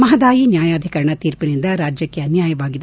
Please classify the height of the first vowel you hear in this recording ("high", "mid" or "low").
low